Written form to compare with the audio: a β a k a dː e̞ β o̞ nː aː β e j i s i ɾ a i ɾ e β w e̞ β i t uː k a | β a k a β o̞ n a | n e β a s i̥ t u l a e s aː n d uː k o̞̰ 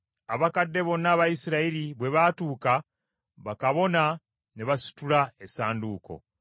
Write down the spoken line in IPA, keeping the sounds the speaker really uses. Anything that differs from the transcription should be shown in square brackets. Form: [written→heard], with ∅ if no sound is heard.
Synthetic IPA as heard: a β a k a dː e̞ β o̞ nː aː β [e→a] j i s i ɾ a i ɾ [e→i] β w e̞ β [i→a] t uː k a | β a k a β o̞ n a | n e β a s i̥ t u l a e s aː n d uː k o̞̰